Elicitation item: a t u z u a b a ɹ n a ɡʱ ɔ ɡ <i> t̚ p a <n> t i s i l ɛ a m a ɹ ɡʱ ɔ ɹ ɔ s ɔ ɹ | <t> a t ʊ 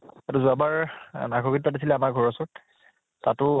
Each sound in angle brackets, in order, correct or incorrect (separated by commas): correct, incorrect, correct